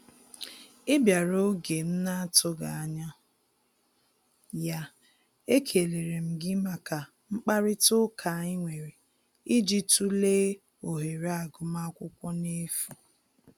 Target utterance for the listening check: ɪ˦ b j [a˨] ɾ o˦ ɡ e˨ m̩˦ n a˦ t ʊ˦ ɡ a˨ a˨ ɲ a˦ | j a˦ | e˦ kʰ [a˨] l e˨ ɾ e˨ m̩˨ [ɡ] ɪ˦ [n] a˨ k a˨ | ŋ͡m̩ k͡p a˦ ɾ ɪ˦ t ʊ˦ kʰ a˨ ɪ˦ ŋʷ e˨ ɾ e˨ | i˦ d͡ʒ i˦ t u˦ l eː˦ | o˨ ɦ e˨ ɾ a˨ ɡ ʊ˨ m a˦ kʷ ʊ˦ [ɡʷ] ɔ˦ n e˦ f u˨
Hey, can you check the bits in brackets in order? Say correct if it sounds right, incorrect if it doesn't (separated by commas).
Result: correct, incorrect, correct, incorrect, incorrect